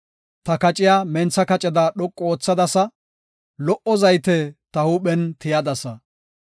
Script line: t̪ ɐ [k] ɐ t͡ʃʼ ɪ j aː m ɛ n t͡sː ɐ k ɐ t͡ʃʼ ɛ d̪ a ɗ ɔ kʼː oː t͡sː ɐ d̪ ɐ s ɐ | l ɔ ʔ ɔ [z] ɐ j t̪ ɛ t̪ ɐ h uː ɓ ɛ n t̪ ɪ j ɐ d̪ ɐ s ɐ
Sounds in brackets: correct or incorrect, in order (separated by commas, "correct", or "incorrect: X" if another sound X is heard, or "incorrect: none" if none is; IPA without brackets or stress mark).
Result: correct, correct